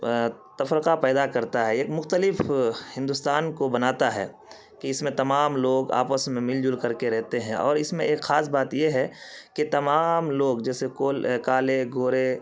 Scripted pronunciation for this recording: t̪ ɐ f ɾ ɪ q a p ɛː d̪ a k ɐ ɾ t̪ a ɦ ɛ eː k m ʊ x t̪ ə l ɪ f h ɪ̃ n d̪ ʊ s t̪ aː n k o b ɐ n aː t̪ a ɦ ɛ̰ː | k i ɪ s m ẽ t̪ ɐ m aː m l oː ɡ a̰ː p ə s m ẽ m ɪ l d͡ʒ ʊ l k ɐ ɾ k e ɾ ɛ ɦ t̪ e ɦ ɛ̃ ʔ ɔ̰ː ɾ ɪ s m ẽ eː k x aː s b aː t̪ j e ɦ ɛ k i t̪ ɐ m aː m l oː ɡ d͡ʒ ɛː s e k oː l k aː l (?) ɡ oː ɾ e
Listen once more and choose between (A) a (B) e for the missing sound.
B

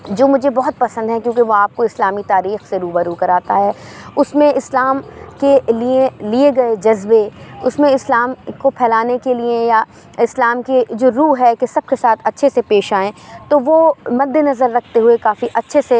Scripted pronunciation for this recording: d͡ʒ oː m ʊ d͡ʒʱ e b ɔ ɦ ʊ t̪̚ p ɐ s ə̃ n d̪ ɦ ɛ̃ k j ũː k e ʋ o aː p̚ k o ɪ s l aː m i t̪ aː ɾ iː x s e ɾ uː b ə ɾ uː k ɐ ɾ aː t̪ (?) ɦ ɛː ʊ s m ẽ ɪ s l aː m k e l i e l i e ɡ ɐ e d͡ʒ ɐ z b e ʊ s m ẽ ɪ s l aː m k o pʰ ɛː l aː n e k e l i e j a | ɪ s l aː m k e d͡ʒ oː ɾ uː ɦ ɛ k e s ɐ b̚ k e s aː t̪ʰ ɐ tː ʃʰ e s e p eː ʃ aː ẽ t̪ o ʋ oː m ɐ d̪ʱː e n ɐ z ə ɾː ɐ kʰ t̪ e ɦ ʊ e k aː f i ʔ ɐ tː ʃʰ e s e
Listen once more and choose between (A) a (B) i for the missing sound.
A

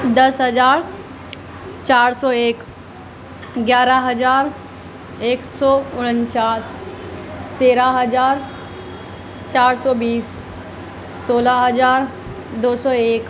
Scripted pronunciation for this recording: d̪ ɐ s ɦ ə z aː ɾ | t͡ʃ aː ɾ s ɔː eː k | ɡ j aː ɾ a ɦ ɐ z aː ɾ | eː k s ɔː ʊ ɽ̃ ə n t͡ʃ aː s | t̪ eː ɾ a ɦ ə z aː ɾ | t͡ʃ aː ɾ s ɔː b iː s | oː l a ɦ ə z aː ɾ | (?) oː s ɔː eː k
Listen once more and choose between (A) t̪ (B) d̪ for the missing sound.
B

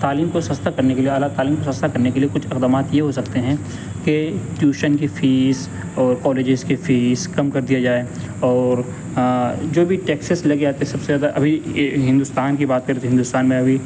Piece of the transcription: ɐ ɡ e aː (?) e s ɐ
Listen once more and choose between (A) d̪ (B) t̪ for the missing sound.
B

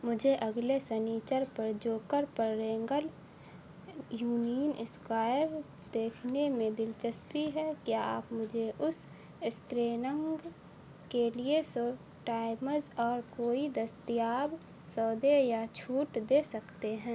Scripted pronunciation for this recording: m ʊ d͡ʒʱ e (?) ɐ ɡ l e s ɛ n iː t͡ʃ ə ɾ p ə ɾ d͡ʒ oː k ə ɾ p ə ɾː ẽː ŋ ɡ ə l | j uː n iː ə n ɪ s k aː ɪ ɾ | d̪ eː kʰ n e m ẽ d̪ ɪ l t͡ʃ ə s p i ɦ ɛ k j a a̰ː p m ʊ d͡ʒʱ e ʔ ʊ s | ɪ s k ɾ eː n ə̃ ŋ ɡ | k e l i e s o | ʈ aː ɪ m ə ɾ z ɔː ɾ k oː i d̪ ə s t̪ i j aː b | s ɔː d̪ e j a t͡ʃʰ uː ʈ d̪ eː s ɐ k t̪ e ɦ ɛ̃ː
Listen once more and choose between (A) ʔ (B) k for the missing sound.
A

